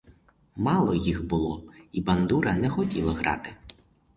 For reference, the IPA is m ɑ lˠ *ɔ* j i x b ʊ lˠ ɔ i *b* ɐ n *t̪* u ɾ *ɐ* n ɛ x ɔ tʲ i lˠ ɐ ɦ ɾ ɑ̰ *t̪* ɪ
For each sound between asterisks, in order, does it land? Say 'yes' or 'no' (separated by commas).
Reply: yes, yes, no, yes, yes